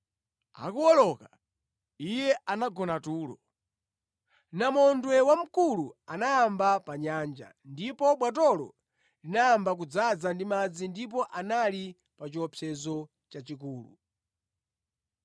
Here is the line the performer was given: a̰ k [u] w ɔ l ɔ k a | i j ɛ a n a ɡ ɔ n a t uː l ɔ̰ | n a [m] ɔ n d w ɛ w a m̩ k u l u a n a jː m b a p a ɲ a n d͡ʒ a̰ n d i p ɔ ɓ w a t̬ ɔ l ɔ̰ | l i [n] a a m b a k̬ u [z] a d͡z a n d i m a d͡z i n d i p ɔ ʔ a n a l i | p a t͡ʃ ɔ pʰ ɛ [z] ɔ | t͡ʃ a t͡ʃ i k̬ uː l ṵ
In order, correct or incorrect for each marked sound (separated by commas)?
correct, correct, correct, incorrect, correct